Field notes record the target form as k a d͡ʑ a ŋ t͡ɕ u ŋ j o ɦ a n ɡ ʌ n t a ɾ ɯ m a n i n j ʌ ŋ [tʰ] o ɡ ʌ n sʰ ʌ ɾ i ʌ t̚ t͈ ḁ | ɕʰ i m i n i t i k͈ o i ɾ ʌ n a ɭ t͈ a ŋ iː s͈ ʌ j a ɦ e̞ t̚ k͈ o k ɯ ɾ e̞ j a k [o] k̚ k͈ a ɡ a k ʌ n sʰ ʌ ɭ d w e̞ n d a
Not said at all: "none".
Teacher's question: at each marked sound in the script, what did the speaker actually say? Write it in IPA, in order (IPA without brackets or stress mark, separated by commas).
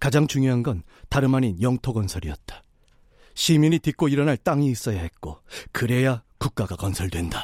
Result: tʰ, u